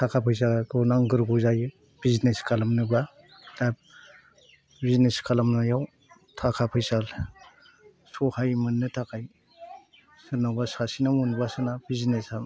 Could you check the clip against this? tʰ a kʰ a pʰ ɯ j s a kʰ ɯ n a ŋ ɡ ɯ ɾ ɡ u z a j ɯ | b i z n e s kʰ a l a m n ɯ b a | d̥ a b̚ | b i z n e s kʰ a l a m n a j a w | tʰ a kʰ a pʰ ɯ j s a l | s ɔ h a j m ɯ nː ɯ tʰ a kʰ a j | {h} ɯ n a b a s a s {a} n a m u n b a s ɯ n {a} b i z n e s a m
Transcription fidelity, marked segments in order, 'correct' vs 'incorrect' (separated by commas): incorrect, incorrect, correct